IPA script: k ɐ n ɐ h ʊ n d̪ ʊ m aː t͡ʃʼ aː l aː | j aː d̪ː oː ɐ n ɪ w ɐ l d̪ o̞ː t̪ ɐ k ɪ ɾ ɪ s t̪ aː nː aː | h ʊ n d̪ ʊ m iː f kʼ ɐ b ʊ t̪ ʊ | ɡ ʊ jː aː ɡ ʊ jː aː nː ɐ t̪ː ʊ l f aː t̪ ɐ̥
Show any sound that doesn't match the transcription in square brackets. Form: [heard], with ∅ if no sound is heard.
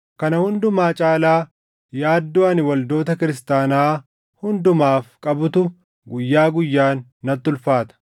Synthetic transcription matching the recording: k ɐ n ɐ h ʊ n d̪ ʊ m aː t͡ʃʼ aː l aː | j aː d̪ː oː ɐ n ɪ w ɐ l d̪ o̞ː t̪ ɐ k ɪ ɾ ɪ s t̪ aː [n] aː | h ʊ n d̪ ʊ m [aː] f kʼ ɐ b ʊ t̪ ʊ | ɡ ʊ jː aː ɡ ʊ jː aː nː ɐ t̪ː ʊ l f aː t̪ ɐ̥